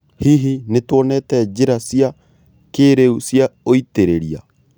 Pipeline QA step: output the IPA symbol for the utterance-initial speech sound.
h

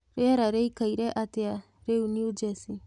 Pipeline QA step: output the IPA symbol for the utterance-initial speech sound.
ɾ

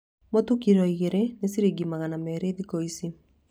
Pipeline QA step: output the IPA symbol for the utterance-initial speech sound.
m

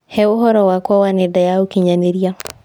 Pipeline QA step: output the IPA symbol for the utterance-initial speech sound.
h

